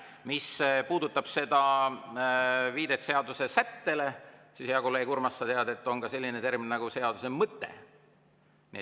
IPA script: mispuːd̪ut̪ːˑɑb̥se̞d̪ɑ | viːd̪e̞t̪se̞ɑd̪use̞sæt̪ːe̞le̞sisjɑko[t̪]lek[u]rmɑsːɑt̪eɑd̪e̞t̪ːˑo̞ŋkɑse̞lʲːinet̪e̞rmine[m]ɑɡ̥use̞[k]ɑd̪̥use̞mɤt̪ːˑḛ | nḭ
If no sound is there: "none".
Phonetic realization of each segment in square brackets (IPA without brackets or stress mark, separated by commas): none, u, n, none